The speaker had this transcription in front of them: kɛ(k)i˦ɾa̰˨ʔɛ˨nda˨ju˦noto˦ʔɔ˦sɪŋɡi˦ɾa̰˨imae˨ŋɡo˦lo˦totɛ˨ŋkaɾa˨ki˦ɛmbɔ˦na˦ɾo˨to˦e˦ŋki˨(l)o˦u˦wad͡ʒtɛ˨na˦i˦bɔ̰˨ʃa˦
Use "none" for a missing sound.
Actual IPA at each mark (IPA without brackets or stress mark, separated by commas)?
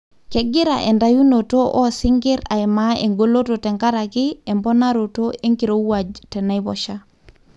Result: ɡ, ɾ